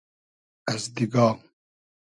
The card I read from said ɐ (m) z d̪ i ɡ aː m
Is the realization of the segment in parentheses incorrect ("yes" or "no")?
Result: yes